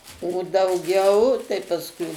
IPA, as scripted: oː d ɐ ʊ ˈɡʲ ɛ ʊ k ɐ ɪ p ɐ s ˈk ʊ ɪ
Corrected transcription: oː d ɐ ʊ ˈɡʲ ɛ ʊ t ɐ ɪ p ɐ s ˈk ʊ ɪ